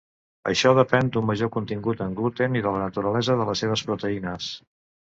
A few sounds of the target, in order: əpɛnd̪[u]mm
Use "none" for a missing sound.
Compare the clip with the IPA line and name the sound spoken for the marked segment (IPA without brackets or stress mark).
u